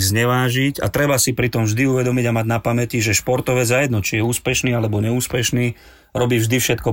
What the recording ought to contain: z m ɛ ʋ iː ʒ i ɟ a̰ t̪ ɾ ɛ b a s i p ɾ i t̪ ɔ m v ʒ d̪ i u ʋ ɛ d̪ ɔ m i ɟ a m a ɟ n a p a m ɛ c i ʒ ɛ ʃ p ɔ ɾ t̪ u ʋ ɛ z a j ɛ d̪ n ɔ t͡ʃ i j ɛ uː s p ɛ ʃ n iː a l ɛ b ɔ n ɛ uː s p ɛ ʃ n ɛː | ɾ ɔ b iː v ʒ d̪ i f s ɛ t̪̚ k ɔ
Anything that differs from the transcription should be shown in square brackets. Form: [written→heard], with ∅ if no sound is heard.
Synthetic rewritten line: z [m→ɲ] ɛ ʋ [iː→aː] ʒ i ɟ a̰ t̪ ɾ ɛ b a s i p ɾ i t̪ ɔ m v ʒ d̪ i u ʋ ɛ d̪ ɔ m i ɟ a m a ɟ n a p a m ɛ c i ʒ ɛ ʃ p ɔ ɾ t̪ [u→ɔ] ʋ ɛ z a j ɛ d̪ n ɔ t͡ʃ i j ɛ uː s p ɛ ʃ n iː a l ɛ b ɔ [n→ɲ] ɛ uː s p ɛ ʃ n [ɛː→iː] | ɾ ɔ b iː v ʒ d̪ i f [s→ʃ] ɛ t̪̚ k ɔ